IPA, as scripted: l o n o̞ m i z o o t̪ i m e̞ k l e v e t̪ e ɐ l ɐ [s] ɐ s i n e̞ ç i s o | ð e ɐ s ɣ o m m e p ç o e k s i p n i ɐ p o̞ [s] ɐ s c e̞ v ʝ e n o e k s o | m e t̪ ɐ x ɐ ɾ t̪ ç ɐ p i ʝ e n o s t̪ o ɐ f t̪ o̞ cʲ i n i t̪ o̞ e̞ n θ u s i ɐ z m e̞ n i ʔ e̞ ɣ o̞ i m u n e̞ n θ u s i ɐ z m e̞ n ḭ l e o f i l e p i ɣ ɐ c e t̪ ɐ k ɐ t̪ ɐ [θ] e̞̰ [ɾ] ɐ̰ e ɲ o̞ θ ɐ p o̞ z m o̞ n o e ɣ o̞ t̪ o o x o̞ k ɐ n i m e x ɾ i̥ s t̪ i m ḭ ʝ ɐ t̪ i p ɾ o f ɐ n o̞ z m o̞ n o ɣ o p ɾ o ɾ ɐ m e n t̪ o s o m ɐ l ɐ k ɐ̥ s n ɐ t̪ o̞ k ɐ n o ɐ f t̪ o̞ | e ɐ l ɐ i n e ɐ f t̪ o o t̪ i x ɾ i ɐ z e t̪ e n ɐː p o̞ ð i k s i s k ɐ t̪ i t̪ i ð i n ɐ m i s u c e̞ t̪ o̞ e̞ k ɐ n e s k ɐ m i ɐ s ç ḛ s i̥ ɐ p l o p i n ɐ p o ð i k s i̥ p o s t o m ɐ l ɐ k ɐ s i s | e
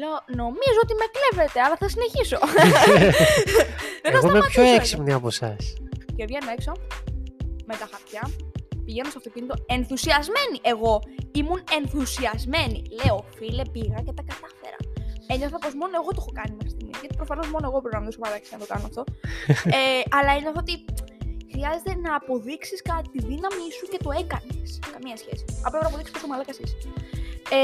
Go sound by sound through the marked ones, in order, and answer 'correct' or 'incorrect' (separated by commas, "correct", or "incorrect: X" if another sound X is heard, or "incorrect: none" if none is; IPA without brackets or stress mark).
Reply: incorrect: θ, correct, incorrect: f, correct